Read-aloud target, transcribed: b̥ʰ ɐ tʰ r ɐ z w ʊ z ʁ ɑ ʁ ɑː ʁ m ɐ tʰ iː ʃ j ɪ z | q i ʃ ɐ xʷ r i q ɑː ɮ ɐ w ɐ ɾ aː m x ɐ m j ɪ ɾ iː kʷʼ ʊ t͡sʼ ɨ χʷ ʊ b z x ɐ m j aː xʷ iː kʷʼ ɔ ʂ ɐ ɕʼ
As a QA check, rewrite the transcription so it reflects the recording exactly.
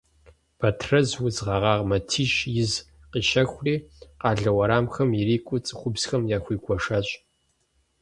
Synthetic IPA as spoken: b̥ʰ ɐ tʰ r ɐ z w ʊ z ʁ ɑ ʁ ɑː ʁ m ɐ tʰ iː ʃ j ɪ z | q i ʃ ɐ xʷ r iː q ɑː ɮ ɐ w ɐ ɾ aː m x ɐ m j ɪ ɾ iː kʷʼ ʊ t͡sʼ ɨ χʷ ʊ b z x ɐ m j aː xʷ iː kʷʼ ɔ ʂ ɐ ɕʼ